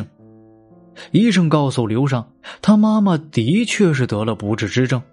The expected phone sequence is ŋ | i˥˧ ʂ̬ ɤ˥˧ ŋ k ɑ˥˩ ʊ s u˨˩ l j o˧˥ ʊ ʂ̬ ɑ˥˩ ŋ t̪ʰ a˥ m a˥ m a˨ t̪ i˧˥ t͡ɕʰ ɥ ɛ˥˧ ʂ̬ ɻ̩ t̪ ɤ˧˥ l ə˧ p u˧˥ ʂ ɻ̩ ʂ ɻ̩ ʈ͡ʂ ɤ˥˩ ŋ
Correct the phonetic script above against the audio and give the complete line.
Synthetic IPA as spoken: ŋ | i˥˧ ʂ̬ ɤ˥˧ ŋ k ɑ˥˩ ʊ s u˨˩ l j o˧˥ ʊ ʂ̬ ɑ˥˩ ŋ t̪ʰ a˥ m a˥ m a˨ t̪ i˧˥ t͡ɕʰ ɥ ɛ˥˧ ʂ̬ ɻ̩ t̪ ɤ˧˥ l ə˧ p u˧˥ ʈ͡ʂ ɻ̩ ʈ͡ʂ ɻ̩ ʈ͡ʂ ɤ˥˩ ŋ